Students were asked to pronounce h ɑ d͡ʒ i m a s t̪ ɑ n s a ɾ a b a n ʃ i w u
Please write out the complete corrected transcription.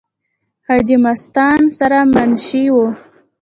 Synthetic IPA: h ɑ d͡ʒ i m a s t̪ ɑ n s a ɾ a m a n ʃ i w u